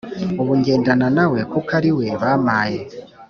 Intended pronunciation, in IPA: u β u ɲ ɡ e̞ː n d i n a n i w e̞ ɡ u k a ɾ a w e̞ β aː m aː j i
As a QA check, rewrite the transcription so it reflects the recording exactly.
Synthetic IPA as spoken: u β u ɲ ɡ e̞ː n d a n a n a w e̞ k u k a ɾ i w e̞ β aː m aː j e